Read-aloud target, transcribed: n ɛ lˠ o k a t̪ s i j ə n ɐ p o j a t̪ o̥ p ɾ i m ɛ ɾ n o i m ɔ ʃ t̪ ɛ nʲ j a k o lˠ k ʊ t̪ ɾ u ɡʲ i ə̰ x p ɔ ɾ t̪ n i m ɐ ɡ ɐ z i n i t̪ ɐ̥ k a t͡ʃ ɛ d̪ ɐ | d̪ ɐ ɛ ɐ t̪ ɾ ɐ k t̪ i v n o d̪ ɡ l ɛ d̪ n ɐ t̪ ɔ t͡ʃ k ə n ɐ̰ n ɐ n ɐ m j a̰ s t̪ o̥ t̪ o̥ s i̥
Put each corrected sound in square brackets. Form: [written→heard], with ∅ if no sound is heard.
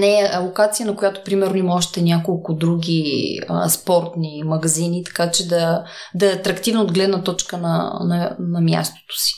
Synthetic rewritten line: n ɛ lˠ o k a t̪ s i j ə n ɐ [p→k] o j a t̪ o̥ p ɾ i m ɛ ɾ n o i m ɔ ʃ t̪ ɛ nʲ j a k o lˠ k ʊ [t̪→d̪] ɾ u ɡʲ i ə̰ [x→s] p ɔ ɾ t̪ n i m ɐ ɡ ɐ z i n i t̪ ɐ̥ k a t͡ʃ ɛ d̪ ɐ | d̪ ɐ ɛ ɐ t̪ ɾ ɐ k t̪ i v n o d̪ ɡ l ɛ d̪ n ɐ t̪ ɔ t͡ʃ k ə n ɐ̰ n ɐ n ɐ m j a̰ s t̪ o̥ t̪ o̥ s i̥